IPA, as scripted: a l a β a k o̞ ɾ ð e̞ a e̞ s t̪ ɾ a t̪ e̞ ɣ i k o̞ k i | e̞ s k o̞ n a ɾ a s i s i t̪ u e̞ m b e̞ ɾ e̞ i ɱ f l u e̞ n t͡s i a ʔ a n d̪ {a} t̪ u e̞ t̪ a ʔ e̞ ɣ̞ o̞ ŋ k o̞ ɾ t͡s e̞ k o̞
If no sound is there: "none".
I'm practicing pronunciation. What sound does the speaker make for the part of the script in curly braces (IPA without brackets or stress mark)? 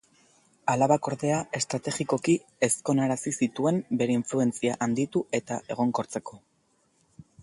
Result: i